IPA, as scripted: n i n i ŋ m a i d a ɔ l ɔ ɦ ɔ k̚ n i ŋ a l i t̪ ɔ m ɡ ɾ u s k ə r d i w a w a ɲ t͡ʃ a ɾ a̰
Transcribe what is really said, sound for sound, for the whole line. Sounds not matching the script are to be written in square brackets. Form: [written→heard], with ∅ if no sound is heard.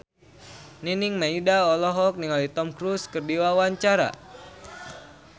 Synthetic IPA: n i n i ŋ m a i d a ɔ l ɔ ɦ ɔ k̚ n i ŋ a l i t̪ ɔ m [ɡ→k] ɾ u s k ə r d i w a w a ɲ t͡ʃ a ɾ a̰